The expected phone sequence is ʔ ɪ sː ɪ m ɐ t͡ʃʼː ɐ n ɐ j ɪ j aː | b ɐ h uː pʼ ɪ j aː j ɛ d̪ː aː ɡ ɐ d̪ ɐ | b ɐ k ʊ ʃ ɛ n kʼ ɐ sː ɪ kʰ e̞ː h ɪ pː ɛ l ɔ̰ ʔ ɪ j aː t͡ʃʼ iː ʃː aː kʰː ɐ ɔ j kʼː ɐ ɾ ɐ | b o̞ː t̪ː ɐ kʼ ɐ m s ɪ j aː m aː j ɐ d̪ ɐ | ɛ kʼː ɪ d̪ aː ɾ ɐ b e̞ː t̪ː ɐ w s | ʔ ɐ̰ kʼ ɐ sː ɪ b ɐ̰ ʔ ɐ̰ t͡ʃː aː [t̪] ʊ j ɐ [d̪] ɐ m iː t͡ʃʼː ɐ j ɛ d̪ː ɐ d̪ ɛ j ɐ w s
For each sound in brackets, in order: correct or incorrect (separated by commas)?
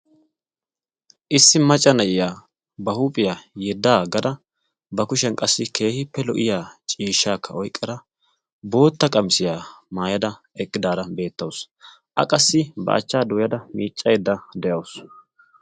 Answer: incorrect, correct